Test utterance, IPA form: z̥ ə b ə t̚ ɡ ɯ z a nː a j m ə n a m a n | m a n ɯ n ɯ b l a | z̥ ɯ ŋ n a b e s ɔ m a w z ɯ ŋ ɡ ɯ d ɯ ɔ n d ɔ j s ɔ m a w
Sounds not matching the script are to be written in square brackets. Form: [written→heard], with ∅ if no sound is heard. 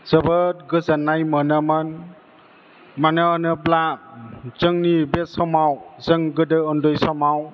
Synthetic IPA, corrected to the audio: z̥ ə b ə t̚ ɡ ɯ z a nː a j m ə n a m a n | m a n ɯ n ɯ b l a | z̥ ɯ ŋ n [a→i] b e s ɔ m a w z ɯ ŋ ɡ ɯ d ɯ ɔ n d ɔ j s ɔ m a w